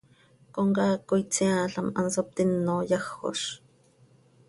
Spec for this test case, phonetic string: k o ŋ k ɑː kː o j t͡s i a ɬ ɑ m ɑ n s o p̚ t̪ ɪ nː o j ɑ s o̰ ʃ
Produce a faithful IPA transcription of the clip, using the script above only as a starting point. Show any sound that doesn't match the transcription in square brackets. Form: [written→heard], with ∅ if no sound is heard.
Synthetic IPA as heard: k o ŋ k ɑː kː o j t͡s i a ɬ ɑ m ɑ n s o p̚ t̪ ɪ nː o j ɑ [s→x] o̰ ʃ